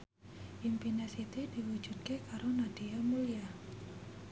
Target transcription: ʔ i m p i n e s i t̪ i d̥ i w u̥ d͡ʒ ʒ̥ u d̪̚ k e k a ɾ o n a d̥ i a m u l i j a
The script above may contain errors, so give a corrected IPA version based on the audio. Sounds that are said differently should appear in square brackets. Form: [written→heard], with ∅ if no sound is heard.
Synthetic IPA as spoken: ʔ i m p i n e s i t̪ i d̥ i w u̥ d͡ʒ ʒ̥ u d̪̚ k e k a ɾ o n a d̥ i a m u l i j a